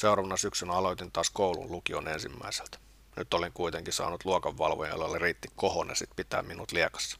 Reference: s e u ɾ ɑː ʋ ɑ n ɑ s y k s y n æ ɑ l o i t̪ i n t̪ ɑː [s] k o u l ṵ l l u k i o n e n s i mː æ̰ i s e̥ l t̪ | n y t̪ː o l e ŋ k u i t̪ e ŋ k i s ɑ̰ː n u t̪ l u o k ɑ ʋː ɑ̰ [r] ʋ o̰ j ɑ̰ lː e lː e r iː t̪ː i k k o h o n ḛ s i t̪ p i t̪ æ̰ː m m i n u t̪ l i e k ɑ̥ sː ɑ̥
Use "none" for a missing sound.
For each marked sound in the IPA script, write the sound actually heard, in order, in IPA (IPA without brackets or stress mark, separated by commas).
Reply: s, l